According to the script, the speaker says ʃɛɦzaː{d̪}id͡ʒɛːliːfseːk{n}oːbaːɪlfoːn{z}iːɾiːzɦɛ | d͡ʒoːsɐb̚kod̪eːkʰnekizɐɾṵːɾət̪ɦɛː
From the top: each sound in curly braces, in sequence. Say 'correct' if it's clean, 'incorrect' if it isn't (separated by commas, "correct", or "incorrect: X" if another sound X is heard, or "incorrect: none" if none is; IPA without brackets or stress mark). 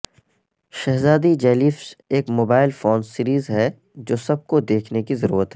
correct, incorrect: m, incorrect: s